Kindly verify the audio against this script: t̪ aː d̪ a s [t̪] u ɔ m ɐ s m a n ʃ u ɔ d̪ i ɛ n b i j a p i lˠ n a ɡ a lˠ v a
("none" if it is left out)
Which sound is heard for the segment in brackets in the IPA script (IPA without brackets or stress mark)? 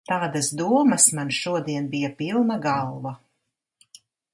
d̪